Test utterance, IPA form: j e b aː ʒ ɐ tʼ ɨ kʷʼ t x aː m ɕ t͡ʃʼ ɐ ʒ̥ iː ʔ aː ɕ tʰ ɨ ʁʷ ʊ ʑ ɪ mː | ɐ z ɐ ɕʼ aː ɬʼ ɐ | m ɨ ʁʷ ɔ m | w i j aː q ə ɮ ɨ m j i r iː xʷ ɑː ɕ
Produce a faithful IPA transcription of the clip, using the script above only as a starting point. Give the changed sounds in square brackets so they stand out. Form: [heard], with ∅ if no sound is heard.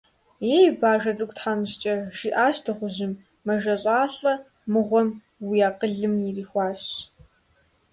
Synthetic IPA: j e b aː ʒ ɐ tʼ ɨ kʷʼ t [ħ] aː m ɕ t͡ʃʼ ɐ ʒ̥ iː ʔ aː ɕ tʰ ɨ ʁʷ ʊ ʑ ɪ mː | ɐ [ʒ] ɐ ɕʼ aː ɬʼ ɐ | m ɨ ʁʷ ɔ m | w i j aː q ə ɮ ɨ m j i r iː xʷ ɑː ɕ